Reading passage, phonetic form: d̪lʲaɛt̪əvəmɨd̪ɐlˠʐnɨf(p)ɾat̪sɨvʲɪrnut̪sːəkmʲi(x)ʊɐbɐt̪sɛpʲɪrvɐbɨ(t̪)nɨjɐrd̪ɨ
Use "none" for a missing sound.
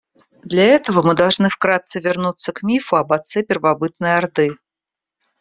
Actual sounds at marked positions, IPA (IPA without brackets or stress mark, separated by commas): k, f, t̪